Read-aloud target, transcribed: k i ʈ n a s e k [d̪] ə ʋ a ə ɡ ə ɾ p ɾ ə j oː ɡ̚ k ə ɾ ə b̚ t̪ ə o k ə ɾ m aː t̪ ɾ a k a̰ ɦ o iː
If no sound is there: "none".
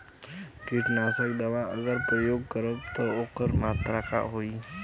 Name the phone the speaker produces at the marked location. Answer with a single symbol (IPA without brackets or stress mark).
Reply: d̪